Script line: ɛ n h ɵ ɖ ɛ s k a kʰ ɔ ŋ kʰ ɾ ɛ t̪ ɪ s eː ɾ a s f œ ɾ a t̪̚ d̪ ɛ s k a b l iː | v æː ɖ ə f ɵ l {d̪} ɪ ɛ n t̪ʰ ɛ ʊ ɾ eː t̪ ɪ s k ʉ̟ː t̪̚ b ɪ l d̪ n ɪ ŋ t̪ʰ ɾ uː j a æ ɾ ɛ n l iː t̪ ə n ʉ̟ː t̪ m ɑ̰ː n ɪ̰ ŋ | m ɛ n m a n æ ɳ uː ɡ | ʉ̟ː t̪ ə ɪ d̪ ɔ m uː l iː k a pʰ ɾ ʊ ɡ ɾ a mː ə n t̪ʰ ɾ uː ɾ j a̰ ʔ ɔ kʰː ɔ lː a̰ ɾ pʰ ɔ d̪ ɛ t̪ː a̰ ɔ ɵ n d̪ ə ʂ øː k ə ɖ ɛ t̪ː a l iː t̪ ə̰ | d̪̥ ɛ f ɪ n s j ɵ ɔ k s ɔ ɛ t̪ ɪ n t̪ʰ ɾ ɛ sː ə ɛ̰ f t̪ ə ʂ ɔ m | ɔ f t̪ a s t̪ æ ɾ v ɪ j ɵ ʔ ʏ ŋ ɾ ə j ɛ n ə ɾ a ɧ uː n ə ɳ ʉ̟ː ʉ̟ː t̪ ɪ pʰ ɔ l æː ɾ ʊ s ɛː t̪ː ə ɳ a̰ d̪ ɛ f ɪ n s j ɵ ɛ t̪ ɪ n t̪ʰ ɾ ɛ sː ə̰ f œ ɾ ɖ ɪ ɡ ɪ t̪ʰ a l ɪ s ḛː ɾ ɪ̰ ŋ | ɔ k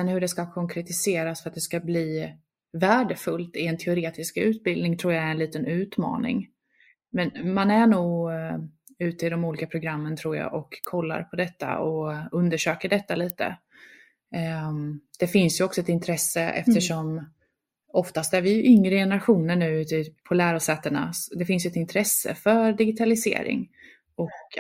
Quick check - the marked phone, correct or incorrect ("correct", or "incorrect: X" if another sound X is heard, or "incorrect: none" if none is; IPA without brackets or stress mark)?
incorrect: t̪